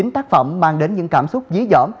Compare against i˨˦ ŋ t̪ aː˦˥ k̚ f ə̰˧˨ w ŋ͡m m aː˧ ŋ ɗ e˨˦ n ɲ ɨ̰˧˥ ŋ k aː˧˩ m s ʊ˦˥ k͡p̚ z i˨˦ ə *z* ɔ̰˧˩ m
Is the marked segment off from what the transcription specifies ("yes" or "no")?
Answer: no